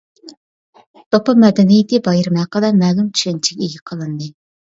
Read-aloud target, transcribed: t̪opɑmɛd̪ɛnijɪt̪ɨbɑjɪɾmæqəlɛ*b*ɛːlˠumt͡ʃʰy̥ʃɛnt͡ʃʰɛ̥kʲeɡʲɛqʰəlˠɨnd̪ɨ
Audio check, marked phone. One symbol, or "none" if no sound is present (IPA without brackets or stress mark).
m